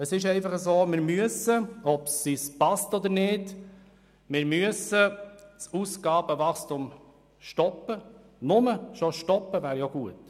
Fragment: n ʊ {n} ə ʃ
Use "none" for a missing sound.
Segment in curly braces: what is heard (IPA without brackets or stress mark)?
m